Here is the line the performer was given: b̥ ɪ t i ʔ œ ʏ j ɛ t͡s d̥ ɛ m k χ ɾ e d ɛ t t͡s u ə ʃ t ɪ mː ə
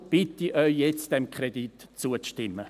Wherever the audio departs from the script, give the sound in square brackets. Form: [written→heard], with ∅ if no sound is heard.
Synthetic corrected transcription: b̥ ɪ t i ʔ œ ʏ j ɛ t͡s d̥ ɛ m k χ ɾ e d [ɛ→i] t t͡s u ə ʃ t ɪ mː ə